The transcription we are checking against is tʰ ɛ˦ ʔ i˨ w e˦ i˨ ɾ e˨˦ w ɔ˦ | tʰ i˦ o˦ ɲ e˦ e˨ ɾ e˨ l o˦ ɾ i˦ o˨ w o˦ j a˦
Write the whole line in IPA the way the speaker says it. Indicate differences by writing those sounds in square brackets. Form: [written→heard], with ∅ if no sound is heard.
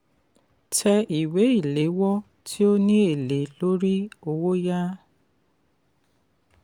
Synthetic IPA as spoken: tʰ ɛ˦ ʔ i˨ w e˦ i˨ [ɾ→l] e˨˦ w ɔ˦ | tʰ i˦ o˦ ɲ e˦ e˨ [ɾ→l] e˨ l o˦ ɾ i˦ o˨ w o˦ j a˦